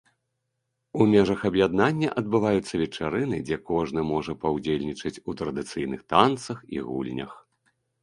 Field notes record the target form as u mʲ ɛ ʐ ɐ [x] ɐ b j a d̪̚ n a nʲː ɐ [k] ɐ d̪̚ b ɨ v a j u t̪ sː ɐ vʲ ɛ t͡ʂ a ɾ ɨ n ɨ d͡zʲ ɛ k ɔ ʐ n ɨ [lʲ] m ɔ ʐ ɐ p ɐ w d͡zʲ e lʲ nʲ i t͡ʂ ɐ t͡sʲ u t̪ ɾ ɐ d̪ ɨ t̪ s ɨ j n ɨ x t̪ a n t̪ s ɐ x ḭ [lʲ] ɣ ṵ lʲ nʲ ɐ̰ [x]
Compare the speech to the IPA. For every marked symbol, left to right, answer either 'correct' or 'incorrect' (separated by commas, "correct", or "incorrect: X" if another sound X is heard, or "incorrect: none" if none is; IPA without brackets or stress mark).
correct, incorrect: ʔ, incorrect: none, incorrect: none, correct